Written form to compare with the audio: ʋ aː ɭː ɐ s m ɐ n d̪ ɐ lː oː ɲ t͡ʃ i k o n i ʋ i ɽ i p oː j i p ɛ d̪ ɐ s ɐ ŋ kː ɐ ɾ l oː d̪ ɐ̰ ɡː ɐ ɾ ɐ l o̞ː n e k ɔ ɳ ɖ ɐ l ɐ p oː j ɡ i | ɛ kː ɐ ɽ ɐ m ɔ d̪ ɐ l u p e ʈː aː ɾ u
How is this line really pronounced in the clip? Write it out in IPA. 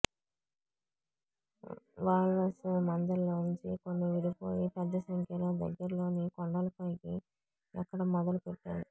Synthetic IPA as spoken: ʋ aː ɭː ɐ s m ɐ n d̪ ɐ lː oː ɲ t͡ʃ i k o nː i ʋ i ɽ i p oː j i p ɛ d̪ː ɐ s ɐ ŋ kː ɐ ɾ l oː d̪ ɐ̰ ɡː ɐ ɾ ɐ l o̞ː n i k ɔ ɳ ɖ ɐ l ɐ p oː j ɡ i | ɛ kː ɐ ɽ ɐ m ɔ d̪ ɐ l u p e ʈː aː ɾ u